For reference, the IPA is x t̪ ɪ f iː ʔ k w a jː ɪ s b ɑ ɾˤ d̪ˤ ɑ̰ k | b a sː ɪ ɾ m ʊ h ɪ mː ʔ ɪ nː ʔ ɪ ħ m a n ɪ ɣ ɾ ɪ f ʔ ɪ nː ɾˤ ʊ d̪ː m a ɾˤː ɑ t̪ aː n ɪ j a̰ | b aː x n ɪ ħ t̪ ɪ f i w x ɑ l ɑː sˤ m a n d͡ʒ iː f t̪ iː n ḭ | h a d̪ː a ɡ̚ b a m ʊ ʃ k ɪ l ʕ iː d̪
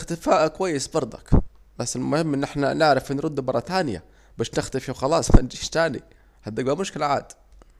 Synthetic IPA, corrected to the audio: x t̪ ɪ f aː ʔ k w a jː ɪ s b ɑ ɾˤ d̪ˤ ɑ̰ k | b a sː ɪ l m ʊ h ɪ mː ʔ ɪ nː ʔ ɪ ħ n a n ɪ ʕ ɾ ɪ f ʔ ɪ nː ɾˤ ʊ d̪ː m ɑ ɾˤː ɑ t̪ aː n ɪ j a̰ | b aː ʃ n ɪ x t̪ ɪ f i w x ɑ l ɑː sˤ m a n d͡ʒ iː ʃ t̪ aː n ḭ | h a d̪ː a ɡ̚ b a m ʊ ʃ k ɪ l ʕ aː d̪